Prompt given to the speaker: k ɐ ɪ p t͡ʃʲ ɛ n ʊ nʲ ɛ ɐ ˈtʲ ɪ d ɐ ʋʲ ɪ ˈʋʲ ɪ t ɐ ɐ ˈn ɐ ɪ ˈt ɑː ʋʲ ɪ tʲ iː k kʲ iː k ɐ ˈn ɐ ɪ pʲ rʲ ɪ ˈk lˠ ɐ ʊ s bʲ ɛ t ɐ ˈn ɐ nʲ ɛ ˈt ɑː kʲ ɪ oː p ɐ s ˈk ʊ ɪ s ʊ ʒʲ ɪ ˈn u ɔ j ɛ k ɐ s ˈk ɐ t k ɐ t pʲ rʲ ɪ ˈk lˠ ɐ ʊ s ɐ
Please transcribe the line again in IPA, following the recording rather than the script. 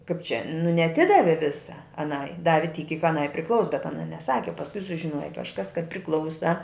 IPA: k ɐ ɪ p t͡ʃʲ ɛ n ʊ nʲ ɛ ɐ ˈtʲ ɪ d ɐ ʋʲ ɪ ˈʋʲ ɪ s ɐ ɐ ˈn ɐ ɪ ˈd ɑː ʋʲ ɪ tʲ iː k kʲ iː k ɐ ˈn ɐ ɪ pʲ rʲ ɪ ˈk lˠ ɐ ʊ s bʲ ɛ t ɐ ˈn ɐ nʲ ɛ ˈs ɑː kʲ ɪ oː p ɐ s ˈk ʊ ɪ s ʊ ʒʲ ɪ ˈn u ɔ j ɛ k ɐ ʃ ˈk ɐ s k ɐ t pʲ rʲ ɪ ˈk lˠ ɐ ʊ s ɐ